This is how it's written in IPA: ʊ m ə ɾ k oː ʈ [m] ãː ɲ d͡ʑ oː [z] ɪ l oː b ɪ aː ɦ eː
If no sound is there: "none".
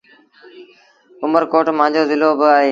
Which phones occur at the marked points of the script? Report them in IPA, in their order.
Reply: m, z

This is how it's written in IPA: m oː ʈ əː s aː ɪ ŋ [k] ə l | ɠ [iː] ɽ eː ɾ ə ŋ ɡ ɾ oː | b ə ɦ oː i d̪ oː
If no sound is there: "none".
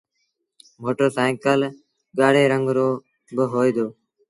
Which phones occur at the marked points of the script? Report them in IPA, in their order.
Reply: k, aː

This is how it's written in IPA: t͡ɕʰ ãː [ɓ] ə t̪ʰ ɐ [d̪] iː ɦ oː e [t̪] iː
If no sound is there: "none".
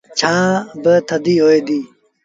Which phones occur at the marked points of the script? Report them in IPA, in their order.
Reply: b, d̪, d̪

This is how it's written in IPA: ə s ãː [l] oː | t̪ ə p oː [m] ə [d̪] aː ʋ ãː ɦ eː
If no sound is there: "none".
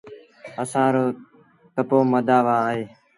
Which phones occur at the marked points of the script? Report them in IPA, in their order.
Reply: ɾ, m, d̪

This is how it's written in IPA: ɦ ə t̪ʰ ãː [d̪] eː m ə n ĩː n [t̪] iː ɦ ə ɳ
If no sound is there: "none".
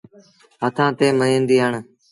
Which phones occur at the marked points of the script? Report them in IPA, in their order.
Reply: t̪, d̪

